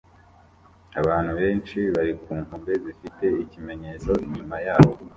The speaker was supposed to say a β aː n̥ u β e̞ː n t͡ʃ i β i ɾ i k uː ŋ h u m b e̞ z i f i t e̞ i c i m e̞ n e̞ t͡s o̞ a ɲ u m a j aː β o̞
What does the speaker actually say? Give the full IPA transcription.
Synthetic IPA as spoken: a β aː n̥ u β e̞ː n t͡ʃ i β a ɾ i k uː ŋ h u m b e̞ z i f i t e̞ i c i m e̞ ɲ e̞ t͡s o̞ i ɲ u m a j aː β o̞